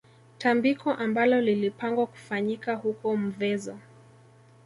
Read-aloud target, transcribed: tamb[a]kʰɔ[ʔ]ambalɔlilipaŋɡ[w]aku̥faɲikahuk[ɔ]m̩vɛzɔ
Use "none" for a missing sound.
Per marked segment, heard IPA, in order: i, ʔ, w, ɔ

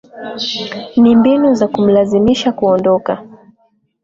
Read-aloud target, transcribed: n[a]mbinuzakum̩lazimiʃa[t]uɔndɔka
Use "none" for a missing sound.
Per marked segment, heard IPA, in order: i, k

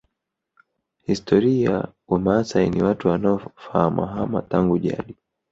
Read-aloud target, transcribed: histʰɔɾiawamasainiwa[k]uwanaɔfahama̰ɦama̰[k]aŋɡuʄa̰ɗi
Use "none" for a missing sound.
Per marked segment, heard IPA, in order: t, t

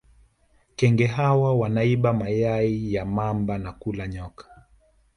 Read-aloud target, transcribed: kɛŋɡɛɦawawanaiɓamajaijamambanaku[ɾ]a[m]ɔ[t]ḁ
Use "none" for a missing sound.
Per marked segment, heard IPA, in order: l, ɲ, k

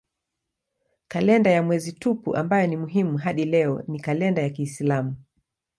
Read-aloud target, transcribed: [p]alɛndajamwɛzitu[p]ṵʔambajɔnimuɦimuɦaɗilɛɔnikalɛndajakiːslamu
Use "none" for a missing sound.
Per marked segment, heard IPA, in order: k, p

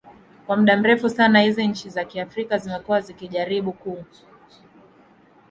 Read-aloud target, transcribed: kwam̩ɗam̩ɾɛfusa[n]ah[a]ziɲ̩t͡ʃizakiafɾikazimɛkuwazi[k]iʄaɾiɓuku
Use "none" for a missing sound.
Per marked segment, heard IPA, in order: n, i, k

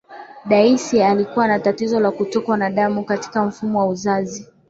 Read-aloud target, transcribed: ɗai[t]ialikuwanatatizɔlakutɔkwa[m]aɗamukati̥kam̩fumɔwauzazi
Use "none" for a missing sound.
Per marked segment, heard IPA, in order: s, n

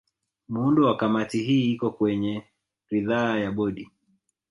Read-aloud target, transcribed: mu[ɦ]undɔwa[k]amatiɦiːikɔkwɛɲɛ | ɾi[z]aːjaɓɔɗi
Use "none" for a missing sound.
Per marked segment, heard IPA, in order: none, k, ð

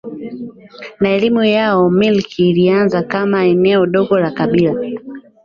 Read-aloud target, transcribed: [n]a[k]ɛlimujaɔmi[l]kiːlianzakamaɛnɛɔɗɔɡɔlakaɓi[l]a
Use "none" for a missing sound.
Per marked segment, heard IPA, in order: n, none, l, l

